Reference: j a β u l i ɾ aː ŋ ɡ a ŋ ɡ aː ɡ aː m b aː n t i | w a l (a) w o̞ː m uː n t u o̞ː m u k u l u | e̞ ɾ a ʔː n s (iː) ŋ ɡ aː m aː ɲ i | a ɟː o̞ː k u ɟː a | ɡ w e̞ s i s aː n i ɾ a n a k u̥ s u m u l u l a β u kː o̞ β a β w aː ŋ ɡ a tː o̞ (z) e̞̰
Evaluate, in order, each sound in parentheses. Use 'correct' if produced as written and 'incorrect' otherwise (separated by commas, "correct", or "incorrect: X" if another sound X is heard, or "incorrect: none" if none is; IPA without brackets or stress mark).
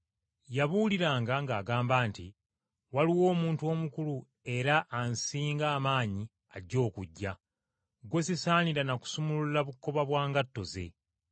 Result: incorrect: i, correct, correct